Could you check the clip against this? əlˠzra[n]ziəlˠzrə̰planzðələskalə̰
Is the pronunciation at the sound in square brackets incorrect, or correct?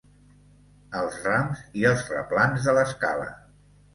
incorrect